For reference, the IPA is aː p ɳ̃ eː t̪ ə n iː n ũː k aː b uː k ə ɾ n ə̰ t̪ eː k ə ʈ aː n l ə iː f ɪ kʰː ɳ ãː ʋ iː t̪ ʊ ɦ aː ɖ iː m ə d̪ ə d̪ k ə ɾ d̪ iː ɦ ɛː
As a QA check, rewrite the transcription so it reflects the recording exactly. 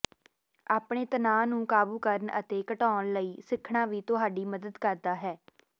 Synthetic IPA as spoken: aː p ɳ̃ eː t̪ ə n aː n ũː k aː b uː k ə ɾ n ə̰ t̪ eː k ə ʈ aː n l ə iː s ɪ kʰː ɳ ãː ʋ iː t̪ ʊ ɦ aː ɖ iː m ə d̪ ə d̪ k ə ɾ d̪ aː ɦ ɛː